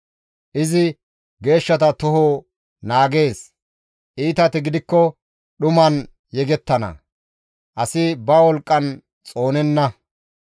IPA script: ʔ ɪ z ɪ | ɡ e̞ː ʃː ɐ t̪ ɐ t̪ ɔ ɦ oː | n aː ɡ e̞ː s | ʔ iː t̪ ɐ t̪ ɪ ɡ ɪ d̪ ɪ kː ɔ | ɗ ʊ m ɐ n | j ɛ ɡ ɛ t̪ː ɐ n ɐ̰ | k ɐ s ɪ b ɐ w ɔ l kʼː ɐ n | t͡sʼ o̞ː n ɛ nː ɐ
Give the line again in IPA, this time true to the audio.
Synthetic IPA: ʔ ɪ z ɪ | ɡ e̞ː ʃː ɐ t̪ ɐ t̪ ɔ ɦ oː | n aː ɡ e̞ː s | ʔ iː t̪ ɐ t̪ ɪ ɡ ɪ d̪ ɪ kː ɔ | ɗ ʊ m ɐ n | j ɛ ɡ ɛ t̪ː ɐ n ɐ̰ | ʔ ɐ s ɪ b ɐ w ɔ l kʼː ɐ n | t͡sʼ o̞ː n ɛ nː ɐ

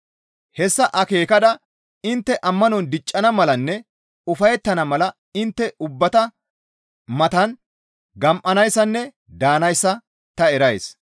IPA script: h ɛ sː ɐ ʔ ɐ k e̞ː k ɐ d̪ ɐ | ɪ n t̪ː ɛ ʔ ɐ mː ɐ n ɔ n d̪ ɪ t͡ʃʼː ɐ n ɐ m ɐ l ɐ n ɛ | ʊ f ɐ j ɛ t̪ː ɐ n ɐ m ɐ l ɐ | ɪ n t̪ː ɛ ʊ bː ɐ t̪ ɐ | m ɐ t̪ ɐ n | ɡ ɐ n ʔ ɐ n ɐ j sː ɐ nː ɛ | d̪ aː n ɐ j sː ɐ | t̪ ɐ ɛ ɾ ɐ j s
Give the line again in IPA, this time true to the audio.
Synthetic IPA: h ɛ sː ɐ ʔ ɐ k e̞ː k ɐ d̪ ɐ | ɪ n t̪ː ɛ ʔ ɐ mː ɐ n ɔ n d̪ ɪ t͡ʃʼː ɐ n ɐ m ɐ l ɐ nː ɛ | ʊ f ɐ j ɛ t̪ː ɐ n ɐ m ɐ l ɐ | ɪ n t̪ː ɛ ʊ bː ɐ t̪ ɐ | m ɐ t̪ ɐ n | ɡ ɐ m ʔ ɐ n ɐ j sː ɐ nː ɛ | d̪ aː n ɐ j sː ɐ | t̪ ɐ ɛ ɾ ɐ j s

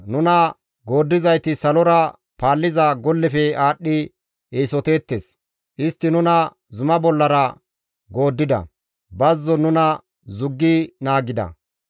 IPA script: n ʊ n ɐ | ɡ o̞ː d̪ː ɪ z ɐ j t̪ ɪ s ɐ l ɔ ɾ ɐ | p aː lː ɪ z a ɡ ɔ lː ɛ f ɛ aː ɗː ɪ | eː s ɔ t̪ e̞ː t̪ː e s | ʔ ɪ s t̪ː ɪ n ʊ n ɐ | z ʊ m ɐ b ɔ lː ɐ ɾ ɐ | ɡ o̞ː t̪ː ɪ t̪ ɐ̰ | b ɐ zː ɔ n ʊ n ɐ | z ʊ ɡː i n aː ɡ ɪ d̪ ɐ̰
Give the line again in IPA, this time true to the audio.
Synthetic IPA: n ʊ n ɐ | ɡ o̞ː d̪ː ɪ z ɐ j t̪ ɪ s ɐ l ɔ ɾ ɐ | p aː lː ɪ z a ɡ ɔ lː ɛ f ɛ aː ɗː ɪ | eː s ɔ t̪ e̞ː t̪ː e s | ʔ ɪ s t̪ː ɪ n ʊ n ɐ | z ʊ m ɐ b ɔ lː ɐ ɾ ɐ | ɡ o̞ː d̪ː ɪ d̪ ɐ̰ | b ɐ zː ɔ n ʊ n ɐ | z ʊ ɡː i n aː ɡ ɪ d̪ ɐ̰

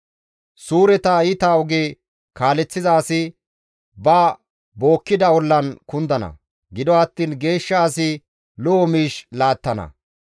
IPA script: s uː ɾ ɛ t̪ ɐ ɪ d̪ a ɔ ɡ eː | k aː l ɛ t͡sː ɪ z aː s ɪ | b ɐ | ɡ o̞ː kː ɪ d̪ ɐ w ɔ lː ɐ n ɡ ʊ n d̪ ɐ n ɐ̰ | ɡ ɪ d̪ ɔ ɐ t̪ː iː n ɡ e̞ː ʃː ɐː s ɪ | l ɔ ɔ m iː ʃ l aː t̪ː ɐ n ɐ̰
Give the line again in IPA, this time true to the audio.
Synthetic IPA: s uː ɾ ɛ t̪ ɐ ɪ t̪ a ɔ ɡ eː | k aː l ɛ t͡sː ɪ z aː s ɪ | b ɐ | b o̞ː kː ɪ d̪ ɐ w ɔ lː ɐ n k ʊ n d̪ ɐ n ɐ̰ | ɡ ɪ d̪ ɔ ɐ t̪ː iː n ɡ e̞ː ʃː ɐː s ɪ | l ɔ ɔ m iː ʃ l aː t̪ː ɐ n ɐ̰

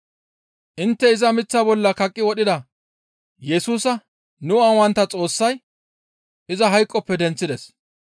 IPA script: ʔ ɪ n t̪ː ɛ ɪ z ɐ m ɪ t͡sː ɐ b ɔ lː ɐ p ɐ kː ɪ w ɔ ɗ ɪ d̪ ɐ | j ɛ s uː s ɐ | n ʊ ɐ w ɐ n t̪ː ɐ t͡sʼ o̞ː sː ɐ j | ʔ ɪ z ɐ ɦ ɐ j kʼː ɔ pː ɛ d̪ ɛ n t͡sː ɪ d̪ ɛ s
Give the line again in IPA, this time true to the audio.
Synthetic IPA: ʔ ɪ n t̪ː ɛ ɪ z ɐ m ɪ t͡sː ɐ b ɔ lː ɐ k ɐ kʼː ɪ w ɔ ɗ ɪ d̪ ɐ | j ɛ s uː s ɐ | n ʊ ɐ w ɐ n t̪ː ɐ t͡sʼ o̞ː sː ɐ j | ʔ ɪ z ɐ ɦ ɐ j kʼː ɔ pː ɛ d̪ ɛ n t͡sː ɪ d̪ ɛ s

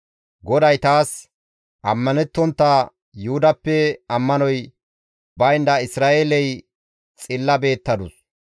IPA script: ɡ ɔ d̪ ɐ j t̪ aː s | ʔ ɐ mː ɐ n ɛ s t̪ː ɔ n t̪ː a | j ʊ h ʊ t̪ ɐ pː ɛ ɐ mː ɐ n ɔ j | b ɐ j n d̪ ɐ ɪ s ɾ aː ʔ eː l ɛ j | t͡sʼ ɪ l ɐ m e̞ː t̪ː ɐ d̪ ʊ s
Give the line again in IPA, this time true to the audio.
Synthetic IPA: ɡ ɔ d̪ ɐ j t̪ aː s | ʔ ɐ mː ɐ n ɛ t̪ː ɔ n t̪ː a | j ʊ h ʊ d̪ ɐ pː ɛ ɐ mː ɐ n ɔ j | b ɐ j n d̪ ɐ ɪ s ɾ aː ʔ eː l ɛ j | t͡sʼ ɪ lː ɐ b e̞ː t̪ː ɐ d̪ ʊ s

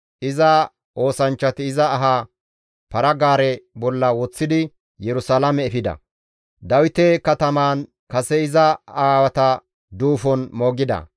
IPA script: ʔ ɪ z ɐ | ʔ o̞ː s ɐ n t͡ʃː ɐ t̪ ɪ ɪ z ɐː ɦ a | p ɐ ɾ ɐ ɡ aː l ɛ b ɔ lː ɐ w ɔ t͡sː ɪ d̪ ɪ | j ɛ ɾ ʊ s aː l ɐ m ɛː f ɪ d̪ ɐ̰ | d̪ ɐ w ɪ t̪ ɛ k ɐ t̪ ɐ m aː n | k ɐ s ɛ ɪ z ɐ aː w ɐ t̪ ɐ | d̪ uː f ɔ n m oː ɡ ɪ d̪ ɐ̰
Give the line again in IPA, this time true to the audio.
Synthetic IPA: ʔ ɪ z ɐ | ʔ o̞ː s ɐ n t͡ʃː ɐ t̪ ɪ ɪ z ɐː ɦ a | p ɐ ɾ ɐ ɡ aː ɾ ɛ b ɔ lː ɐ w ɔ t͡sː ɪ d̪ ɪ | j ɛ ɾ ʊ s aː l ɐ m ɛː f ɪ d̪ ɐ̰ | d̪ ɐ w ɪ t̪ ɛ k ɐ t̪ ɐ m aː n | k ɐ s ɛ ɪ z ɐ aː w ɐ t̪ ɐ | d̪ uː f ɔ n m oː ɡ ɪ d̪ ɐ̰

